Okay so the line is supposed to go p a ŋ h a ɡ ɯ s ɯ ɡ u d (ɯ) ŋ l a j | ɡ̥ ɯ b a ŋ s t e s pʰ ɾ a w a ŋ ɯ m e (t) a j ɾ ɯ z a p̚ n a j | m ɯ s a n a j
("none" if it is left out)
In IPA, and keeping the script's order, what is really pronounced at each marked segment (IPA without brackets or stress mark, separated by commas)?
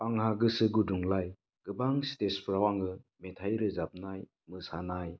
u, tʰ